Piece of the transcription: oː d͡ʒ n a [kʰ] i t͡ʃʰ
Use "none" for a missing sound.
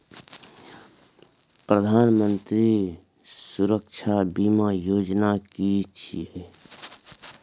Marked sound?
k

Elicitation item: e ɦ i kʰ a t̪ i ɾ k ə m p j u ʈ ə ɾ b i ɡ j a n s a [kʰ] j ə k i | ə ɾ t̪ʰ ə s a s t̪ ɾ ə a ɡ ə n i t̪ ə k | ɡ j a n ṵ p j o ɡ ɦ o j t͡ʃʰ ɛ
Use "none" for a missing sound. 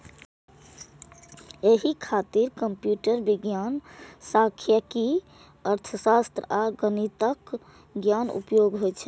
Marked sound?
kʰ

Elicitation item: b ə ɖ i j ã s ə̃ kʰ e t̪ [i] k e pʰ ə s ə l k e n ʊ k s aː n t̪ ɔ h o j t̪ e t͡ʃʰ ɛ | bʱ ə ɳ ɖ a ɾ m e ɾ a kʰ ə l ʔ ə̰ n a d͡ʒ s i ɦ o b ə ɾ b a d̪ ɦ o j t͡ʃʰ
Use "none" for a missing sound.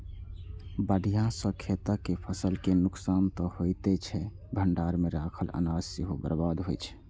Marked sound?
a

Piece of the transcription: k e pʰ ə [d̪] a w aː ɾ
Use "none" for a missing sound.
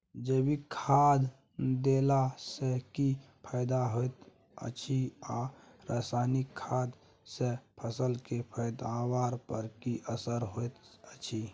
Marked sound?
d̪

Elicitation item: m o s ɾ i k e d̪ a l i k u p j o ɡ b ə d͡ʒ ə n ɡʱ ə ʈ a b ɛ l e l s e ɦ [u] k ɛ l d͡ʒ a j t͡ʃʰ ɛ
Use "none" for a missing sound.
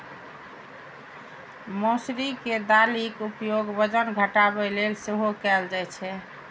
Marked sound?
o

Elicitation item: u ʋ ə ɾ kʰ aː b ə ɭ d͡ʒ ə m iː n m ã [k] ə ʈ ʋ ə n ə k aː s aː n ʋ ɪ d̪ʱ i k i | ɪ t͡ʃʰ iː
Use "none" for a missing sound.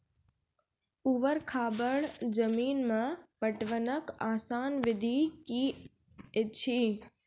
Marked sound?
p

